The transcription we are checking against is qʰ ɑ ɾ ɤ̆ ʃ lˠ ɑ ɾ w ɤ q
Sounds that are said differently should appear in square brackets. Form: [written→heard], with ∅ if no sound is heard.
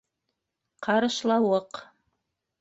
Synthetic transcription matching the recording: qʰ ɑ ɾ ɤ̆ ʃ lˠ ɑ [ɾ→∅] w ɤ q